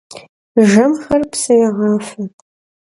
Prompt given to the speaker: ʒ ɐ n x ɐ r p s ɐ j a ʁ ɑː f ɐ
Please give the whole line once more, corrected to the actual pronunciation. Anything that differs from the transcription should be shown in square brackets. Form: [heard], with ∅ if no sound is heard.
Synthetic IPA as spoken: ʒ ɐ [m] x ɐ r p s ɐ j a ʁ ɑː f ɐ